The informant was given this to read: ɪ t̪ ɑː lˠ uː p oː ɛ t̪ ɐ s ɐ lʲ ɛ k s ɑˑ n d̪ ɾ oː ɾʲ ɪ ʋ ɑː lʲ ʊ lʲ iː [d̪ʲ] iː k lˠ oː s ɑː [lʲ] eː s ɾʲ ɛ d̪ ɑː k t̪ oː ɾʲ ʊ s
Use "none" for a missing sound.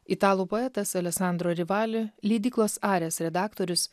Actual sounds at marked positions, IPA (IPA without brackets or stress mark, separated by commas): d̪ʲ, ɾʲ